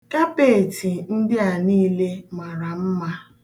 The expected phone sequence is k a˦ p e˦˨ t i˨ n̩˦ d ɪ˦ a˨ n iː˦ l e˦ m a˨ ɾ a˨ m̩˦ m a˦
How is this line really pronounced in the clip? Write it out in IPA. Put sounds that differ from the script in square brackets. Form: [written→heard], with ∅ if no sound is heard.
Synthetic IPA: k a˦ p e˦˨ t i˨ n̩˦ d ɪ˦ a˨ n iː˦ l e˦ m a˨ ɾ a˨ m̩˦ m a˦